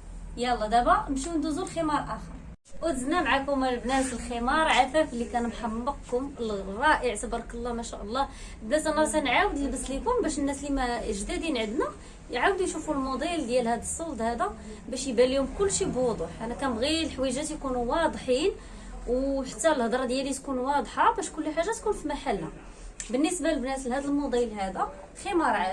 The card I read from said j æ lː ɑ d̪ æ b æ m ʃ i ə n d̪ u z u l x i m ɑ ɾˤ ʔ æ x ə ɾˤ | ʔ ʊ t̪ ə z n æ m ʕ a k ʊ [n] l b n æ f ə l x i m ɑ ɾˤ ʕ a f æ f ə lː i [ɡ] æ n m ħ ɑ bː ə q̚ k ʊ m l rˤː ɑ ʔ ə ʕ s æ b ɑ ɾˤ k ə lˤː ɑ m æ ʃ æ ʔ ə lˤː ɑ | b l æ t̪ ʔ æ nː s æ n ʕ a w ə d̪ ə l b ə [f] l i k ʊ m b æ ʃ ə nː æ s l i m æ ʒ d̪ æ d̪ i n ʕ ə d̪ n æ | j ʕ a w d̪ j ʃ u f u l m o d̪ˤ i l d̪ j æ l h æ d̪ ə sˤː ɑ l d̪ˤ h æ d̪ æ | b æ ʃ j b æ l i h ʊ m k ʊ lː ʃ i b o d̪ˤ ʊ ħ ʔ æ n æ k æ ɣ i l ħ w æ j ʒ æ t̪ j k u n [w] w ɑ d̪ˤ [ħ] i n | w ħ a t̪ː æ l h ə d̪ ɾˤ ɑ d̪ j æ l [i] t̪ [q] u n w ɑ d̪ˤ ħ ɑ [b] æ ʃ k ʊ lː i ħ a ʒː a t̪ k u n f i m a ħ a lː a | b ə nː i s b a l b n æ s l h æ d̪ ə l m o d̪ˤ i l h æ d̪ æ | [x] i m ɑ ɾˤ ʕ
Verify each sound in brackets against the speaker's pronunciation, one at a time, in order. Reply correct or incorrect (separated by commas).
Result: incorrect, incorrect, incorrect, incorrect, correct, correct, incorrect, correct, correct